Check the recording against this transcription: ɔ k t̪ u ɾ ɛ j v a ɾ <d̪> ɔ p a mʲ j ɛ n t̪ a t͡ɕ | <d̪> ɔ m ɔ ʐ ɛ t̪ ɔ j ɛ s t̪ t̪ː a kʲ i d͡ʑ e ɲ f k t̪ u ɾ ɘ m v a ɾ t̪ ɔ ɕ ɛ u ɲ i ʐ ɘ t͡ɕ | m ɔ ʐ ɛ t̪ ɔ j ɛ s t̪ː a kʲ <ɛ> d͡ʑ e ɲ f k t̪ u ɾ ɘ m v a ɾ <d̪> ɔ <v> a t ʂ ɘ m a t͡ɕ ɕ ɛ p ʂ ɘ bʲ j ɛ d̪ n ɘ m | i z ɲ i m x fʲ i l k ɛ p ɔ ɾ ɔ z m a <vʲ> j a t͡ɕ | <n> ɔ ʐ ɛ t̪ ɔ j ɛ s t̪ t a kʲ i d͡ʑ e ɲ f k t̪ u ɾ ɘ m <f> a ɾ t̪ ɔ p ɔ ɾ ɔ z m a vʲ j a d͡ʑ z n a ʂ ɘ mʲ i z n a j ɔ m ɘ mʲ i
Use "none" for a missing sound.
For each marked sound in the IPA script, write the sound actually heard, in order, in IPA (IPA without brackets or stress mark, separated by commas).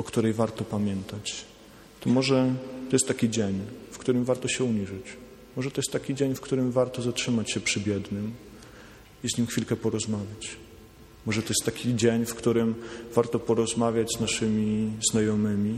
t̪, t̪, i, t̪, z, vʲ, m, v